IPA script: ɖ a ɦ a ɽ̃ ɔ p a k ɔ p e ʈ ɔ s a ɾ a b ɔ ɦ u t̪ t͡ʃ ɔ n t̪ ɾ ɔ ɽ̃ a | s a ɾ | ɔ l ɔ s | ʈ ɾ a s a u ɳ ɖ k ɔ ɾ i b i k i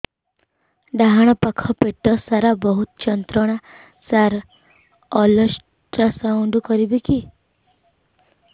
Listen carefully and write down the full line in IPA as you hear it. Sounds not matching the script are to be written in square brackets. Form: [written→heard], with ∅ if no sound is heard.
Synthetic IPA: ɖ a ɦ a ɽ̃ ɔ p a [k→kʰ] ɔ p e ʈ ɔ s a ɾ a b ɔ ɦ u t̪ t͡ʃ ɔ n t̪ ɾ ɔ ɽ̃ a | s a ɾ | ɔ l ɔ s | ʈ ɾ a s a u ɳ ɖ k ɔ ɾ i b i k i